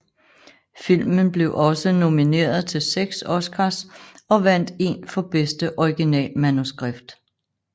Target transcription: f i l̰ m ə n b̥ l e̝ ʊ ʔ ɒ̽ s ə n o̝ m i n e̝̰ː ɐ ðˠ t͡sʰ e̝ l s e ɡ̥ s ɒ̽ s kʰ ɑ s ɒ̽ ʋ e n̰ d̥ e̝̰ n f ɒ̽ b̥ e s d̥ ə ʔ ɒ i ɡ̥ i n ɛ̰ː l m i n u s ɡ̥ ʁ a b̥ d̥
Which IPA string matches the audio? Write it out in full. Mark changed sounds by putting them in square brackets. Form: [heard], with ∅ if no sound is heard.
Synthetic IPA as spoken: f i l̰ m ə n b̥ l e̝ ʊ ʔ ɒ̽ s ə n o̝ m i n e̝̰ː ɐ ðˠ t͡sʰ e̝ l s e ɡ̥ s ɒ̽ s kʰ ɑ s ɒ̽ ʋ [æ] n̰ d̥ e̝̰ n f ɒ̽ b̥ e s d̥ ə ʔ ɒ i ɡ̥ i n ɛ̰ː l m [æ] n u s ɡ̥ ʁ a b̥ d̥